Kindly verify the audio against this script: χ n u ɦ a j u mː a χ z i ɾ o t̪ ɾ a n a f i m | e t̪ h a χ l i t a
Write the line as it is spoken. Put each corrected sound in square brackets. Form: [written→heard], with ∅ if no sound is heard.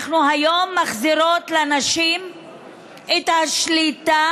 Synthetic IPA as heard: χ n u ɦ a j [u→o] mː a χ z i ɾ o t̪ [ɾ→l] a n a [f→ʃ] i m | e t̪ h a [χ→ʃ] l i t a